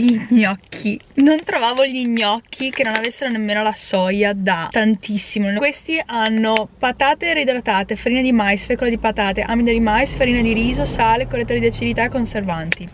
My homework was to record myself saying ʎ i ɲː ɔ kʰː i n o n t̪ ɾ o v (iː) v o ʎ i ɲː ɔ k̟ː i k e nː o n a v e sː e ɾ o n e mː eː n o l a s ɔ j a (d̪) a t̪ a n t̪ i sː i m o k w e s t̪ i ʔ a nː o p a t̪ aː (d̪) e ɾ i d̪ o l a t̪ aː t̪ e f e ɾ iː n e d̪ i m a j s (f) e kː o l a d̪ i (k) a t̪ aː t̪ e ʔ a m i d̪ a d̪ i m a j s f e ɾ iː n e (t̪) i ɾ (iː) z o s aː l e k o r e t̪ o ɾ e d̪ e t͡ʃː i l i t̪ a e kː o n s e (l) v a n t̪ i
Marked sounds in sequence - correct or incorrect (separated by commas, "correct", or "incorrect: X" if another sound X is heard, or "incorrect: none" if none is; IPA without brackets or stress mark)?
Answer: incorrect: aː, correct, incorrect: t̪, correct, incorrect: p, incorrect: d̪, correct, incorrect: r